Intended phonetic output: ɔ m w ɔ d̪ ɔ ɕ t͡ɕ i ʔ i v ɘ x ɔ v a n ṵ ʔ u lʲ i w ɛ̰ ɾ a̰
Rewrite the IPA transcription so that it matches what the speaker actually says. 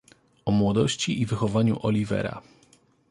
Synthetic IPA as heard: ɔ m w ɔ d̪ ɔ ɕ t͡ɕ i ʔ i v ɘ x ɔ v a ɲ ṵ ʔ ɔ lʲ i v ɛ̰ ɾ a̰